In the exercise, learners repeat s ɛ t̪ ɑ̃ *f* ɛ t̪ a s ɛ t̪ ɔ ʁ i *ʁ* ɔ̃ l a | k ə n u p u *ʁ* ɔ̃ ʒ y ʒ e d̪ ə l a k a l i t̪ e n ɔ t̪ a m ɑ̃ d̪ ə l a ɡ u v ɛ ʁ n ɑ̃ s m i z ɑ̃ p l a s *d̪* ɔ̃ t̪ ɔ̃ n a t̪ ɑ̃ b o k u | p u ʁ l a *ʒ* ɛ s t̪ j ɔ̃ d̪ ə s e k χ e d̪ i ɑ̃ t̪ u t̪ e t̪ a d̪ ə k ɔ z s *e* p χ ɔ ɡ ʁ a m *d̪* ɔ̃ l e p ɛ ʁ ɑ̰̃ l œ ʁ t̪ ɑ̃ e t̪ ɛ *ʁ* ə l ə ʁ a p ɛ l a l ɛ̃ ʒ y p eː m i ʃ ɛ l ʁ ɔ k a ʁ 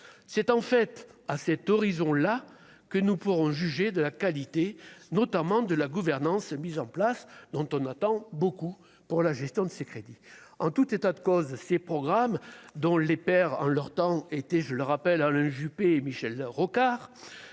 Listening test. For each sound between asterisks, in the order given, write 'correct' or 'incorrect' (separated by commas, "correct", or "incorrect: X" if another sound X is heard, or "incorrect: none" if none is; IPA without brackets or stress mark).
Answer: correct, incorrect: z, correct, correct, correct, correct, correct, incorrect: ʒ